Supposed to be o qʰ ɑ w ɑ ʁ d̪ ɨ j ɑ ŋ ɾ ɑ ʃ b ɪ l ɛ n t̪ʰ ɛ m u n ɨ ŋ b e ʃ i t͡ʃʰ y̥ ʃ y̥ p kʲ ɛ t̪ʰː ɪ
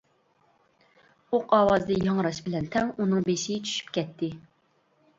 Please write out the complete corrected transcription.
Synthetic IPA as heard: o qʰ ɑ w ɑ z d̪ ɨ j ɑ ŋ ɾ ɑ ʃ b ɪ l ɛ n t̪ʰ ɛ ŋ u n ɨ ŋ b e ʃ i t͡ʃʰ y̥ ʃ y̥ p kʲ ɛ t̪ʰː ɪ